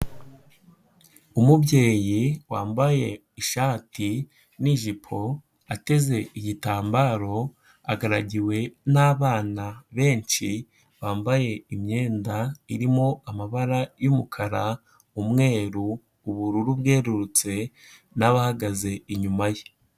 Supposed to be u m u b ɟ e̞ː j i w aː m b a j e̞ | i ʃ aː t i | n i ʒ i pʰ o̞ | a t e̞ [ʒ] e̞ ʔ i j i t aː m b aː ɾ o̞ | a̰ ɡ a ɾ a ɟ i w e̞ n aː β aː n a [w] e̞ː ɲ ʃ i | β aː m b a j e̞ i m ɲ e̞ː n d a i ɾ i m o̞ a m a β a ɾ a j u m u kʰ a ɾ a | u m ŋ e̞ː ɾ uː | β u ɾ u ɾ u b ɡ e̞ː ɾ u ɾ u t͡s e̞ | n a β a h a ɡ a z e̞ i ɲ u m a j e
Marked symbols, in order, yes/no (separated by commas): no, no